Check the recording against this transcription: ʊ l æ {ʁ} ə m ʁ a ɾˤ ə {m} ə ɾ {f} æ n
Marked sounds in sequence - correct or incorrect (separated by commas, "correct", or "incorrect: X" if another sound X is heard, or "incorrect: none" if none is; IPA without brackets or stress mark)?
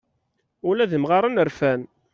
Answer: incorrect: ð, incorrect: n, correct